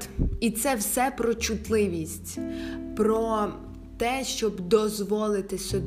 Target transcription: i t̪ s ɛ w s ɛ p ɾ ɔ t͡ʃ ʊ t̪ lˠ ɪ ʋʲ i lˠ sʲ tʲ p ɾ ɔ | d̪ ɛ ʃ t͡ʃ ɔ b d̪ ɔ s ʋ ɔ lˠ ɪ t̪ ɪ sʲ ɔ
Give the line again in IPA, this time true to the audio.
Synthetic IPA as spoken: i t̪ s ɛ w s ɛ p ɾ ɔ t͡ʃ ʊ t̪ lˠ ɪ ʋʲ i sʲ tʲ p ɾ ɔ | t̪ ɛ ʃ t͡ʃ ɔ b d̪ ɔ z ʋ ɔ lˠ ɪ t̪ ɪ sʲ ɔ